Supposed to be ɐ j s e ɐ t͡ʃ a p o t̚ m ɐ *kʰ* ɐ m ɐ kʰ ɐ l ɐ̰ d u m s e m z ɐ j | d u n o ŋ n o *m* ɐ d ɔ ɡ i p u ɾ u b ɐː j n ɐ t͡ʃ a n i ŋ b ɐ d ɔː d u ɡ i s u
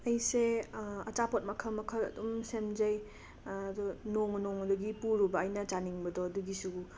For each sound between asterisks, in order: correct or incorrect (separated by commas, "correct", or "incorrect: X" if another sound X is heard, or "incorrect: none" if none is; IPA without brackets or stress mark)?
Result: correct, incorrect: ŋ